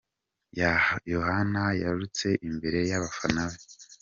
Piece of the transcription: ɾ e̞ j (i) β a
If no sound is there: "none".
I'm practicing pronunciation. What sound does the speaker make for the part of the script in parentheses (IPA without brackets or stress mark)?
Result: a